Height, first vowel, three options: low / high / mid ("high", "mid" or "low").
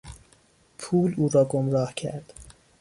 high